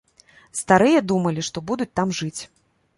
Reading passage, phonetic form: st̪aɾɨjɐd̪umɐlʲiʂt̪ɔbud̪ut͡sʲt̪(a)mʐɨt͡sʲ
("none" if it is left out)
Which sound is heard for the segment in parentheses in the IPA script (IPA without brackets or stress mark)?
a